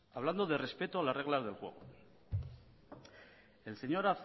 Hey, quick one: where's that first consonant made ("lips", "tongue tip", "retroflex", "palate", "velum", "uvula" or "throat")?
lips